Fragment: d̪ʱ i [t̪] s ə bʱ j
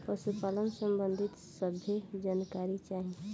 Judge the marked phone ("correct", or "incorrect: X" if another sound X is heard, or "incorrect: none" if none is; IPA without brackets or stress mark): correct